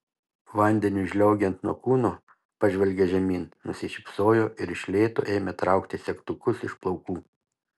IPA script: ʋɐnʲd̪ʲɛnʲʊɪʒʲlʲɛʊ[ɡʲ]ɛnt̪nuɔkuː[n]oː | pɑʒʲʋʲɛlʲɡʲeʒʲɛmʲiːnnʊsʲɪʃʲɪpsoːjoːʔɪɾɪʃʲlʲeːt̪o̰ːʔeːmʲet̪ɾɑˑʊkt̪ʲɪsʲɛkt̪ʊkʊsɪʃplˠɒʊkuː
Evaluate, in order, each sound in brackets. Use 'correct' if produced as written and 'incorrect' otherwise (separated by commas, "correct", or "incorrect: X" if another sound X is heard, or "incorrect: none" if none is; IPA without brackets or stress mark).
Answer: correct, correct